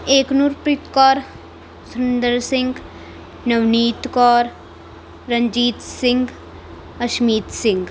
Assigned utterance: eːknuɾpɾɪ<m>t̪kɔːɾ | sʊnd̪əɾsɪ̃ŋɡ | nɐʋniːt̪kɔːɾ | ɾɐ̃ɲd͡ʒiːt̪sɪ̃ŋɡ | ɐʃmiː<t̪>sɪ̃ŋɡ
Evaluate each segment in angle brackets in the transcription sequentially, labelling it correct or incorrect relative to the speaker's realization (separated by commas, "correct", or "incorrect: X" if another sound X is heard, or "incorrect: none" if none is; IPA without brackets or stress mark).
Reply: incorrect: none, correct